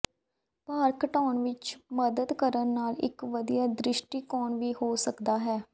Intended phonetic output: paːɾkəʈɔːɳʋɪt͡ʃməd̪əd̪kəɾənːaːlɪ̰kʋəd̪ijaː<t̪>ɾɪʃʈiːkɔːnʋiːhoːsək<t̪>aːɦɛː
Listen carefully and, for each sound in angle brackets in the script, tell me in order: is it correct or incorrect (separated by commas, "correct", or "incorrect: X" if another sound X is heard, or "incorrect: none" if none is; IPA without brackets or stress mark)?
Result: incorrect: d̪, incorrect: d̪